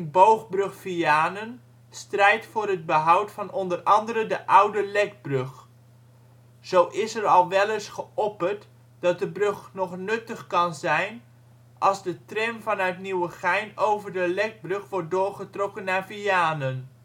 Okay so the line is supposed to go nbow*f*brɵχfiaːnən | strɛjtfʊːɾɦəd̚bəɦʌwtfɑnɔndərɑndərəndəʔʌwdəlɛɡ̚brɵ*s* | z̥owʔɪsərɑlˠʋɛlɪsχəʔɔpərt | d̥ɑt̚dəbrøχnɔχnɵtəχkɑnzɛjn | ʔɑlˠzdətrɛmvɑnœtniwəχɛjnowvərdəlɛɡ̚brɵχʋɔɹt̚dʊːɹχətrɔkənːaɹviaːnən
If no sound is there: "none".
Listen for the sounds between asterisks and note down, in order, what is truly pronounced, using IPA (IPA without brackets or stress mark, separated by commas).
χ, χ